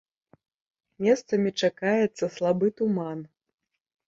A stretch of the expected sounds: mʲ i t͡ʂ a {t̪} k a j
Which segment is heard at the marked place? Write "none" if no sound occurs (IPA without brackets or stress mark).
none